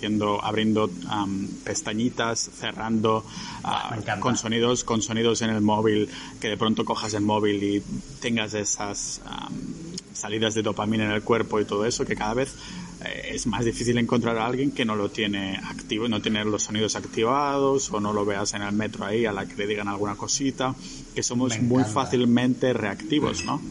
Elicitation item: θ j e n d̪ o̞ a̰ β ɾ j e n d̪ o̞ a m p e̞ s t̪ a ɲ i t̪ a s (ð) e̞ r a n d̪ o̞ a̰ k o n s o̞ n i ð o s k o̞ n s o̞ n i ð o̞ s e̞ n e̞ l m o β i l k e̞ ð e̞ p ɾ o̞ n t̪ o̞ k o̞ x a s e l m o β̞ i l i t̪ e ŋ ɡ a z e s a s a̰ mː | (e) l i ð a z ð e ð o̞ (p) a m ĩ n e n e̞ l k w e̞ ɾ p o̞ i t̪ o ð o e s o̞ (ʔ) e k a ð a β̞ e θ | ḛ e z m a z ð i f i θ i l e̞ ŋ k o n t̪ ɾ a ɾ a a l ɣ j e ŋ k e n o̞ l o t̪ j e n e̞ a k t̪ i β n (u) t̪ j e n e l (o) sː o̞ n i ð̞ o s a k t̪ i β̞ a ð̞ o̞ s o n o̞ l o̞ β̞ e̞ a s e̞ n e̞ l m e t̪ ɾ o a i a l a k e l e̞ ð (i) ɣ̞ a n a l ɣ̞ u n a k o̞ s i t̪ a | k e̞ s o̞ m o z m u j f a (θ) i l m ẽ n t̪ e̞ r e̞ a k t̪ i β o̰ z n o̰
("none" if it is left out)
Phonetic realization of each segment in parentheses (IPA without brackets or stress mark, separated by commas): θ, a, p, k, o, o, i, θ